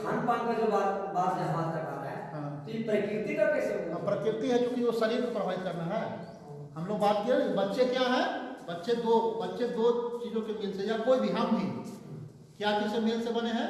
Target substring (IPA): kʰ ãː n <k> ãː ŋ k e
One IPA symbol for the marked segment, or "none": p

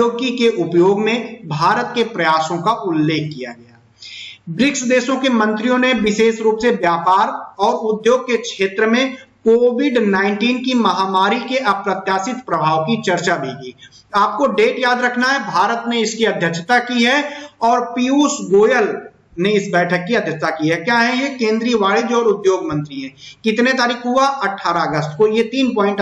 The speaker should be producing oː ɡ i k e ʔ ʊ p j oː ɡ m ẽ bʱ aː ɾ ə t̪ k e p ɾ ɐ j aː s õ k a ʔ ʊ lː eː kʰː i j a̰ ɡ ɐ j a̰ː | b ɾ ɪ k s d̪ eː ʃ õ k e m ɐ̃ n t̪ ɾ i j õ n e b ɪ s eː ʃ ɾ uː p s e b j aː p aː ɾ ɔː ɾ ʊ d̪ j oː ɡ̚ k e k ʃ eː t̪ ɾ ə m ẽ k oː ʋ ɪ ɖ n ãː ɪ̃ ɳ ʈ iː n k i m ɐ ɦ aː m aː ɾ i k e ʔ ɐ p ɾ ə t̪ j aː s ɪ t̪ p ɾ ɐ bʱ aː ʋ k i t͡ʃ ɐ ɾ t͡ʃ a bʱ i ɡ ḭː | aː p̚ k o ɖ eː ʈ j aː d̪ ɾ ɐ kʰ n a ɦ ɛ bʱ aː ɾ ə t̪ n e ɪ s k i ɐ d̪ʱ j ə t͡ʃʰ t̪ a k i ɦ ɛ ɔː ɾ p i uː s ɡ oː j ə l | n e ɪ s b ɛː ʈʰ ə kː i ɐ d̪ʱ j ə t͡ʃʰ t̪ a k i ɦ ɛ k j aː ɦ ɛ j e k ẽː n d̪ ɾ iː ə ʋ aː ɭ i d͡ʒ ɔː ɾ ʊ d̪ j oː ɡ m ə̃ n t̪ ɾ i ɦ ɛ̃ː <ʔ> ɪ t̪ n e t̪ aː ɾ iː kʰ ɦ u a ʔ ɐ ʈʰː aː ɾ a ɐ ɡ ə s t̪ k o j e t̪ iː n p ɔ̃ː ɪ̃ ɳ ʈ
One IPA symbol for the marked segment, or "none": k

